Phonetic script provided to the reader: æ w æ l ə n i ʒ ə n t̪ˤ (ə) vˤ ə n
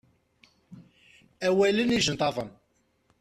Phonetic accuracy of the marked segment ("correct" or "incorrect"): incorrect